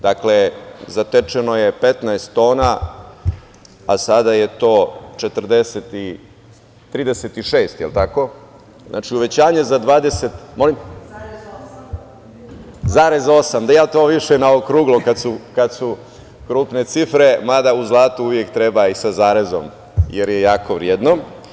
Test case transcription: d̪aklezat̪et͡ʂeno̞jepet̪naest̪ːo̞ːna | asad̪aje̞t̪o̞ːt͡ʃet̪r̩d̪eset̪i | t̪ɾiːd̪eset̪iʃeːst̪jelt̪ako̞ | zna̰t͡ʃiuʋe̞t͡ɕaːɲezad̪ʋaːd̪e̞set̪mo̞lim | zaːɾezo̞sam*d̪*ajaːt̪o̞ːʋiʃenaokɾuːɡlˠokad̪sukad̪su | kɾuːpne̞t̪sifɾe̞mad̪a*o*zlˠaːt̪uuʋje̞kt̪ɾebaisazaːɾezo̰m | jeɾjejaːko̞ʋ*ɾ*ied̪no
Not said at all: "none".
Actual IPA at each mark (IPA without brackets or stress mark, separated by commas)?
d̪, u, ɾ